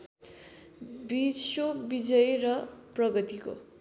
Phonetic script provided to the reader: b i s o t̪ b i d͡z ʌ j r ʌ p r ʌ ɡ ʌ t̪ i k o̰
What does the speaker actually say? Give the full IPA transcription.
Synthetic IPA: b i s o b i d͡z ʌ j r ʌ p r ʌ ɡ ʌ t̪ i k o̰